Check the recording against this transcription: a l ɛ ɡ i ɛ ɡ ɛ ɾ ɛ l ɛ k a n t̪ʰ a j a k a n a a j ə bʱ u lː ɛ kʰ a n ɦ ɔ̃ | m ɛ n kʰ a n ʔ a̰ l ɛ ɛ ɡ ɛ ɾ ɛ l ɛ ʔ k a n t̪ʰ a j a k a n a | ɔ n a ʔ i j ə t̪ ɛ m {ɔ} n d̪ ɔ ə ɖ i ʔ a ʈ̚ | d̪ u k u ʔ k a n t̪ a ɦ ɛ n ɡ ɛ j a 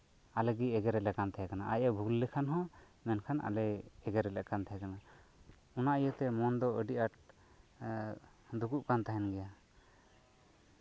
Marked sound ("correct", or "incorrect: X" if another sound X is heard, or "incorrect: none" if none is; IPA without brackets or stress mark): correct